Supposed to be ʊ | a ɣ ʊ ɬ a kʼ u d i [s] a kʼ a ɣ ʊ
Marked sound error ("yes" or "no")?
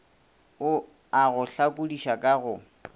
yes